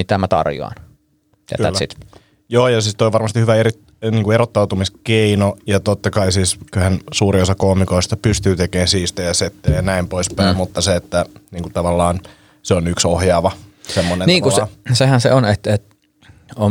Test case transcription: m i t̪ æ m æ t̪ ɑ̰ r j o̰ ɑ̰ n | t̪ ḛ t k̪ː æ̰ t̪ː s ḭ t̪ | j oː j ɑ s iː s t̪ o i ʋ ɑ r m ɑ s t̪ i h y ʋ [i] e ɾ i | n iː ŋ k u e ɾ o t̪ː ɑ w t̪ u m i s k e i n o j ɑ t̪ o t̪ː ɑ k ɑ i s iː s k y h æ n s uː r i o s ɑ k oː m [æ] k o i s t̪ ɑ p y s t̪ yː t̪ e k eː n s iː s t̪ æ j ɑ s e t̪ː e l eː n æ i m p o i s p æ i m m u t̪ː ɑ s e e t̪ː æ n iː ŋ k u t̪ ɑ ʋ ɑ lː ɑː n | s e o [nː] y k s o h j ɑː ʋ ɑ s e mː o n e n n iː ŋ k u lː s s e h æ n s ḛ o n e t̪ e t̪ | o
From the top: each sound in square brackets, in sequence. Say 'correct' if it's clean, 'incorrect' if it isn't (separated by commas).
incorrect, incorrect, incorrect